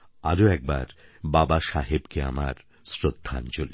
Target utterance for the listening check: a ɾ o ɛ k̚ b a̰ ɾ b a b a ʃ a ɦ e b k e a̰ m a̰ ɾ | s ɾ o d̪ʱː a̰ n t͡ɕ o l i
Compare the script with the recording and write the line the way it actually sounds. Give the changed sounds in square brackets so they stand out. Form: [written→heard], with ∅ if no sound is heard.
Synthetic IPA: a ɾ o ɛ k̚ b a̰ ɾ b a b a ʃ a ɦ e b k e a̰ m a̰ ɾ | s ɾ o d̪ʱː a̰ n t͡ɕ o l i